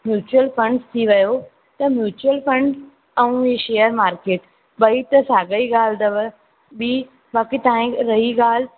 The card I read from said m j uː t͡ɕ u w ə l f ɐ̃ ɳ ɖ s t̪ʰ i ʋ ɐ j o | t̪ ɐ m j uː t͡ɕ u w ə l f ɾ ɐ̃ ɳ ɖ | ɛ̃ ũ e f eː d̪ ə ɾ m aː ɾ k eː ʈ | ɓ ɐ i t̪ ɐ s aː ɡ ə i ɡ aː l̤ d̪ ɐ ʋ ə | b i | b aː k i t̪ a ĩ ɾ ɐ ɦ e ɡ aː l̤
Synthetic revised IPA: m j uː t͡ɕ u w ə l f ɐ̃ ɳ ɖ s t̪ʰ i ʋ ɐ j o | t̪ ɐ m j uː t͡ɕ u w ə l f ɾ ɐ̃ ɳ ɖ | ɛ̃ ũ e ʃ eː ə ɾ m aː ɾ k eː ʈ | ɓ ɐ i t̪ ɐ s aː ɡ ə i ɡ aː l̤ d̪ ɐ ʋ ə | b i | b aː k i t̪ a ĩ ɾ ɐ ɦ i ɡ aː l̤